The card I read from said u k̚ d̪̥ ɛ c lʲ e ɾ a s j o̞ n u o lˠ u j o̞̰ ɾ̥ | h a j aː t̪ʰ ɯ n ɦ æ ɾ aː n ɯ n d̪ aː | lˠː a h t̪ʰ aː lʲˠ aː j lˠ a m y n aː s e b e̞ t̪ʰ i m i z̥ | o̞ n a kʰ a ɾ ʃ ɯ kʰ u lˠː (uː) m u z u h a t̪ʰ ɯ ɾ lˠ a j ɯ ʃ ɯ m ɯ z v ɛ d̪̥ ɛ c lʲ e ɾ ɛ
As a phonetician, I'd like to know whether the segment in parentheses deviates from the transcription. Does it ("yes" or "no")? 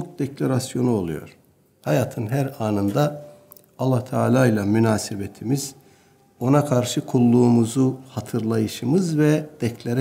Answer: no